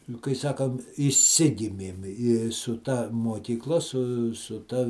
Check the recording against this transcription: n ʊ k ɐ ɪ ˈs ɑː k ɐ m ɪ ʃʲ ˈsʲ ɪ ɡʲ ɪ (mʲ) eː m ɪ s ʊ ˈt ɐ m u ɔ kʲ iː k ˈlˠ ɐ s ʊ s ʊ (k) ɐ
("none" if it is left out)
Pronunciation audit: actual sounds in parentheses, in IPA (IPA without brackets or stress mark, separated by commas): mʲ, t